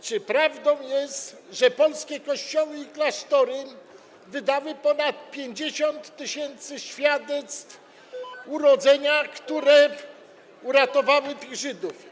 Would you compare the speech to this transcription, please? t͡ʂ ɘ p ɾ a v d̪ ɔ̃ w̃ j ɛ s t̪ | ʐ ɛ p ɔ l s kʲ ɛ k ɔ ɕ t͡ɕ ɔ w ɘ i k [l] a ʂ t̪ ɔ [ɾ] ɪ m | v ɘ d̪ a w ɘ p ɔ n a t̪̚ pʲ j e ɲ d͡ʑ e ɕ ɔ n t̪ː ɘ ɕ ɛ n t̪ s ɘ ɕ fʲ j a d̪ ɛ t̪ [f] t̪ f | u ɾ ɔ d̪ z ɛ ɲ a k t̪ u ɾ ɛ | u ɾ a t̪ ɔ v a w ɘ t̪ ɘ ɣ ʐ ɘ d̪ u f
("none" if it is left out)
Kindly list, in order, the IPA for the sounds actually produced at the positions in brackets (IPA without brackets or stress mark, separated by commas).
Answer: l, ɾ, s